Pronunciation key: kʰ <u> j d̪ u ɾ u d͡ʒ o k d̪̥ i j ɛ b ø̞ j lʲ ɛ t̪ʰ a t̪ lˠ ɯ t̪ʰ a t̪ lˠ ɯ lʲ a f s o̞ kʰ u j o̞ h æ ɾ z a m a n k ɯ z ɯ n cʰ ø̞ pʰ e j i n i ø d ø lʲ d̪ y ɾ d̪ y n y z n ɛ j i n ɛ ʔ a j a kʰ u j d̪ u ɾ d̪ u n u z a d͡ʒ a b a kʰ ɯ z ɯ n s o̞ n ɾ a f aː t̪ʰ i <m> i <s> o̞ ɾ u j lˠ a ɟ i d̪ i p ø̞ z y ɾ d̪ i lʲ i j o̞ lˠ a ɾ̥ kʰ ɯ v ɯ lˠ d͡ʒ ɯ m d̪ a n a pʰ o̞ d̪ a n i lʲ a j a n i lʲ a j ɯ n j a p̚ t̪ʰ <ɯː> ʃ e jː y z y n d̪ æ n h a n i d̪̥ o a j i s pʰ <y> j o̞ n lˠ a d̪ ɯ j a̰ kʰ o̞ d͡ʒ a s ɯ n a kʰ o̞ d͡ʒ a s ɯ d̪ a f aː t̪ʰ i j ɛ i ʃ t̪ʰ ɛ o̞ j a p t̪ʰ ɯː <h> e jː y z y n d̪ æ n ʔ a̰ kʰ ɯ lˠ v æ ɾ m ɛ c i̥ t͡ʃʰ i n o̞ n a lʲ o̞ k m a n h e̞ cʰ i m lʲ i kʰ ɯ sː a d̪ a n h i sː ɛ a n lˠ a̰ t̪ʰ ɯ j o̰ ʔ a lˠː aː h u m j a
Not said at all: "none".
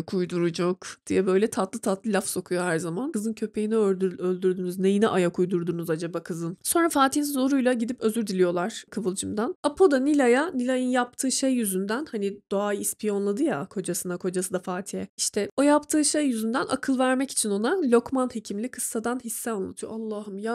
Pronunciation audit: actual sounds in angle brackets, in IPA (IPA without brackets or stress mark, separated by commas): u, n, z, ɯː, i, ʃ